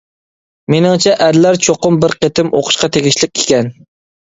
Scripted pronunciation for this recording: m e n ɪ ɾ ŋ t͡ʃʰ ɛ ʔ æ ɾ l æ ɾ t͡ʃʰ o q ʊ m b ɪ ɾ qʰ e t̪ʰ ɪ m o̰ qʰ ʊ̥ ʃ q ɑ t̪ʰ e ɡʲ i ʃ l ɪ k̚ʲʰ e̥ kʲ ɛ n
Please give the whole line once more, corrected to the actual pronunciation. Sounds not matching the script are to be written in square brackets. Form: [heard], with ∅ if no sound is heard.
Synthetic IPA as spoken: m e n ɪ [∅] ŋ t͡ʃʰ ɛ ʔ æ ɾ l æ ɾ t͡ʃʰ o q ʊ m b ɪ ɾ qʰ e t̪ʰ ɪ m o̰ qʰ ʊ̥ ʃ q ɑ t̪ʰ e ɡʲ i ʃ l ɪ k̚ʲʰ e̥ kʲ ɛ n